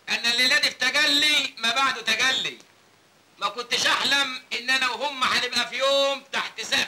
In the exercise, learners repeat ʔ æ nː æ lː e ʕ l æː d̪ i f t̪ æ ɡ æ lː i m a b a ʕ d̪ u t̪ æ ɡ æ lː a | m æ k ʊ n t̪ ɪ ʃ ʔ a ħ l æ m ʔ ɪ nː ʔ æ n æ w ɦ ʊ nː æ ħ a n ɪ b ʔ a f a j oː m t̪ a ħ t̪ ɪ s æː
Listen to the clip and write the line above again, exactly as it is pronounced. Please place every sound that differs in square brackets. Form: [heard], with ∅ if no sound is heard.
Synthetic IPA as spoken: ʔ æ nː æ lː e [∅] l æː d̪ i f t̪ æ ɡ æ lː i m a b a ʕ d̪ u t̪ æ ɡ æ lː [i] | m æ k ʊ n t̪ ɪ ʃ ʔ a ħ l æ m ʔ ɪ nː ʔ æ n æ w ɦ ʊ [mː] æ ħ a n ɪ b ʔ [æ] f [i] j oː m t̪ a ħ t̪ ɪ s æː

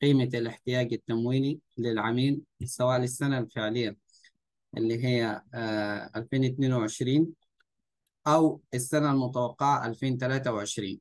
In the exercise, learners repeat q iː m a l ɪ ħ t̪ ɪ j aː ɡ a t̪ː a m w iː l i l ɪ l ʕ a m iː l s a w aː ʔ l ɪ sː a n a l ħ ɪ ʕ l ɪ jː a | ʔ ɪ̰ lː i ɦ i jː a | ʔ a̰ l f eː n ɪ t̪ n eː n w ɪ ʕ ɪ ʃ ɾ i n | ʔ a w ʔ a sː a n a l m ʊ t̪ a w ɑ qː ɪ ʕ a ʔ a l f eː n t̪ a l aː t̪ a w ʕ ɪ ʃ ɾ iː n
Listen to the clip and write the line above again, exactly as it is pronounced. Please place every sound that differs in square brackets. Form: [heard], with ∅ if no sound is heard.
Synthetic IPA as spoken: q iː m a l ɪ ħ t̪ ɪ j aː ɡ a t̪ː a m w iː l i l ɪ l ʕ a m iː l s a w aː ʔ l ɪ sː a n a l [f] ɪ ʕ l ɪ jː a | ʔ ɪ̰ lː i ɦ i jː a | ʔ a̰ l f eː n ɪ t̪ n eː n w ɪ ʕ ɪ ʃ ɾ [iː] n | ʔ a w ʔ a sː a n a l m ʊ t̪ a w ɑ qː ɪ ʕ a ʔ a l f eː n t̪ a l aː t̪ a w ʕ ɪ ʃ ɾ iː n

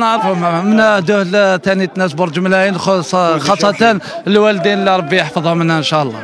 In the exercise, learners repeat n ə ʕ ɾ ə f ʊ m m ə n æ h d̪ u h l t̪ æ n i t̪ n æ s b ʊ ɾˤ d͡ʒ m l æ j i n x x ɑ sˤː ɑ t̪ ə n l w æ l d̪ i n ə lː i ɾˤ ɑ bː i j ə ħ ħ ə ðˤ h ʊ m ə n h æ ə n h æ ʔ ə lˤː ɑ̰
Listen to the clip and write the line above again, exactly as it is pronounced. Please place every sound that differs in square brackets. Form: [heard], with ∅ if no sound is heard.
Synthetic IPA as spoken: n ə ʕ ɾ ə f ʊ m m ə n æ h d̪ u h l t̪ æ n i t̪ n æ s b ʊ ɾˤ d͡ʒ m l æ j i n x x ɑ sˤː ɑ t̪ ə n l w æ l d̪ i n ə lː i ɾˤ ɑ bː i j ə ħ [f] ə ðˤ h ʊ m ə n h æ ə n [ʃ] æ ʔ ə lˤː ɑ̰

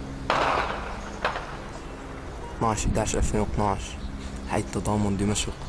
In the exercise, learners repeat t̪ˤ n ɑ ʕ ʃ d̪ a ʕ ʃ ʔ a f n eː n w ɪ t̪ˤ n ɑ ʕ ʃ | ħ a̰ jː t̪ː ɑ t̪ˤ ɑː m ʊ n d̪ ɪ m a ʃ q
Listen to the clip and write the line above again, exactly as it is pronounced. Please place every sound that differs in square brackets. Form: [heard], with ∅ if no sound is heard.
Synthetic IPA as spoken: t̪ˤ n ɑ ʕ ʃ d̪ a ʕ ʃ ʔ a f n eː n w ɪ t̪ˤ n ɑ ʕ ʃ | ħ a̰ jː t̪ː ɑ [d̪ˤ] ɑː m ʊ n d̪ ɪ m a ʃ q

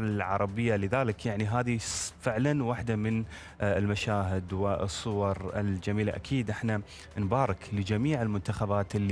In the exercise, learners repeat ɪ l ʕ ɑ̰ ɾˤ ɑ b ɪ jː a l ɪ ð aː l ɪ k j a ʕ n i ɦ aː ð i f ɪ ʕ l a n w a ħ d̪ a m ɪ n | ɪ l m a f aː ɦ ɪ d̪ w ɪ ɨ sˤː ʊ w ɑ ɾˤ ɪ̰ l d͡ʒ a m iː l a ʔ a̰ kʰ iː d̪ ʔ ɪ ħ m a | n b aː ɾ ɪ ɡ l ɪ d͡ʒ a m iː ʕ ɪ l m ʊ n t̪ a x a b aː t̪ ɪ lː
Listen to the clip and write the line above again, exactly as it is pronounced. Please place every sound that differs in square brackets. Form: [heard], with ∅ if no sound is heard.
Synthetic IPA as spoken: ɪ l ʕ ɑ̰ ɾˤ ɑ b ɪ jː a l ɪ ð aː l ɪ k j a ʕ n i ɦ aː ð i f ɪ ʕ l a n w a ħ d̪ a m ɪ n | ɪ l m a [ʃ] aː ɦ ɪ d̪ w ɪ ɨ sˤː ʊ w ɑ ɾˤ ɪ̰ l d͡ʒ a m iː l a ʔ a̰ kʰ iː d̪ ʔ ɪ ħ [n] a | n b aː ɾ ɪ [k] l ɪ d͡ʒ a m iː ʕ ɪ l m ʊ n t̪ a x a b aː t̪ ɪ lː

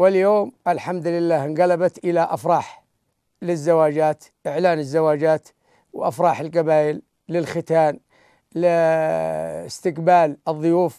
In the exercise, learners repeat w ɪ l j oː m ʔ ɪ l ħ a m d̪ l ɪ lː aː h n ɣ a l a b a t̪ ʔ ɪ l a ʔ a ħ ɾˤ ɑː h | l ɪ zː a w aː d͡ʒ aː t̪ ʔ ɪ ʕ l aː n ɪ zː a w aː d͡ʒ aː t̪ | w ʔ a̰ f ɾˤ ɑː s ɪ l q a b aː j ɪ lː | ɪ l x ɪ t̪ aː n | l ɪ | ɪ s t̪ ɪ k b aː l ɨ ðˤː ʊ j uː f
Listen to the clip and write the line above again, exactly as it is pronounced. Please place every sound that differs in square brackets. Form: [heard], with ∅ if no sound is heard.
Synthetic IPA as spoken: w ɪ l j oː m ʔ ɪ l ħ a m d̪ l ɪ lː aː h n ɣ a l a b a t̪ ʔ ɪ l a ʔ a [f] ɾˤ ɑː [ħ] | l ɪ zː a w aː d͡ʒ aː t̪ ʔ ɪ ʕ l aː n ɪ zː a w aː d͡ʒ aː t̪ | w ʔ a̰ f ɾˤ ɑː [ħ] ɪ l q a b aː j ɪ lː | ɪ l x ɪ t̪ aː n | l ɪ | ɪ s t̪ ɪ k b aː l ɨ ðˤː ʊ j uː f

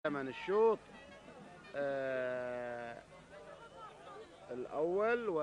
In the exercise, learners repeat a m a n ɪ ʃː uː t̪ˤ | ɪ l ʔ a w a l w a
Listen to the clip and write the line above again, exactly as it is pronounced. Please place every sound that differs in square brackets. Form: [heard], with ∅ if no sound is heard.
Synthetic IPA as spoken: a m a n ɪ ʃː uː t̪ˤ | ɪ l ʔ a [wː] a l w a

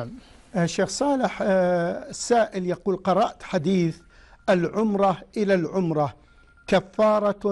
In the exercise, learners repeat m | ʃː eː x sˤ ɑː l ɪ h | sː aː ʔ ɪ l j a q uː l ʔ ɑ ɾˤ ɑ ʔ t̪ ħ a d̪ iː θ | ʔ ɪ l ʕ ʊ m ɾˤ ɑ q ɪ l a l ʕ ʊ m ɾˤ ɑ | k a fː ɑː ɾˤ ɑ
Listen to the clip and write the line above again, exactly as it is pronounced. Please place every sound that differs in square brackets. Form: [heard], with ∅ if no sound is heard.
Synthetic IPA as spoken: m | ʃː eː x sˤ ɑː l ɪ [ħ] | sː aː ʔ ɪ l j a q uː l [q] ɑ ɾˤ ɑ ʔ t̪ ħ a d̪ iː θ | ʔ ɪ l ʕ ʊ m ɾˤ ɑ [ʔ] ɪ l a l ʕ ʊ m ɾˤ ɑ | k a fː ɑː ɾˤ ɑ

